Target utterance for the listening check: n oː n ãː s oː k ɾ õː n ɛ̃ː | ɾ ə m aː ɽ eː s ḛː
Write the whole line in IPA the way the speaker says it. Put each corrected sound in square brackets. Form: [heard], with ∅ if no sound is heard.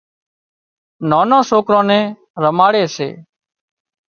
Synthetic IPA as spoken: n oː n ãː s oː k ɾ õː n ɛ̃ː | ɾ ə m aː ɽ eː s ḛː